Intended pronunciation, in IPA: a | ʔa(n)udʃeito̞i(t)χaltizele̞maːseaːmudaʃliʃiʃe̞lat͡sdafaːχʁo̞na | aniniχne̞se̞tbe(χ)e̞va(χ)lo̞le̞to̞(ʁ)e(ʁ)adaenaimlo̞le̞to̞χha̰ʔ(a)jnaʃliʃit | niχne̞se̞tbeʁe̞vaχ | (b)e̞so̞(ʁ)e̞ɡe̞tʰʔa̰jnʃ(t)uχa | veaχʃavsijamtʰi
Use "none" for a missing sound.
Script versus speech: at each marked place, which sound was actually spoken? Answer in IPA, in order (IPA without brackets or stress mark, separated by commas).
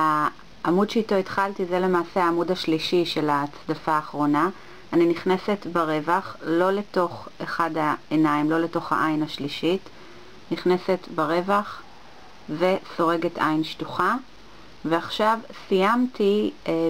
m, t, ʁ, χ, χ, χ, a, v, ʁ, t